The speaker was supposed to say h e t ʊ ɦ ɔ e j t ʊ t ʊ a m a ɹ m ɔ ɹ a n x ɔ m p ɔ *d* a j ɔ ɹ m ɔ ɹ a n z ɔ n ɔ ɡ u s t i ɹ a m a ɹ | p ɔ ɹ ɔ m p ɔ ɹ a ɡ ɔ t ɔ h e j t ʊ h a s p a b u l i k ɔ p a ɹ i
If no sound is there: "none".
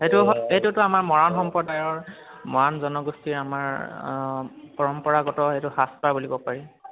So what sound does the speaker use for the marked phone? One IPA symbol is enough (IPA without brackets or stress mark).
d